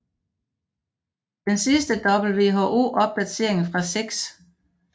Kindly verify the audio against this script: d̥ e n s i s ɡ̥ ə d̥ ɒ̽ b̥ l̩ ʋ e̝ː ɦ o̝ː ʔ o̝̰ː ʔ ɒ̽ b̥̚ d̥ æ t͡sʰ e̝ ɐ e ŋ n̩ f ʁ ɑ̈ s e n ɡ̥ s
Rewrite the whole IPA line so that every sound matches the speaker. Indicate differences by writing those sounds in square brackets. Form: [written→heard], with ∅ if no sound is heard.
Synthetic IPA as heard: d̥ e n s i s [ɡ̥→d̥] ə d̥ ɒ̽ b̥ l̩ ʋ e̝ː ɦ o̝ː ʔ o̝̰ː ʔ ɒ̽ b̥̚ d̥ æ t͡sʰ e̝ ɐ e ŋ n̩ f ʁ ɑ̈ s e [n→∅] ɡ̥ s